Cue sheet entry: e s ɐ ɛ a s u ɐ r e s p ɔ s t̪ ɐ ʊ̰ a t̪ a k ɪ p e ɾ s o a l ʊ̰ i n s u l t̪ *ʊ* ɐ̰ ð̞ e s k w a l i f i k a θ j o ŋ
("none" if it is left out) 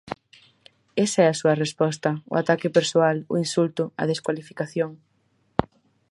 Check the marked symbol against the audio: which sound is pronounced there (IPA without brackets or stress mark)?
ʊ